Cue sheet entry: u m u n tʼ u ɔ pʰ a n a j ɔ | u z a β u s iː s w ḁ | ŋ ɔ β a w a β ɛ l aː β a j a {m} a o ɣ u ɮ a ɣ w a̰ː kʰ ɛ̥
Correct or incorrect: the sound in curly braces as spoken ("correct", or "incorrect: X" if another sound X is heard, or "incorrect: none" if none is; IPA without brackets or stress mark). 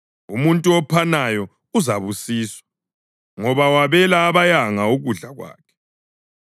incorrect: ŋ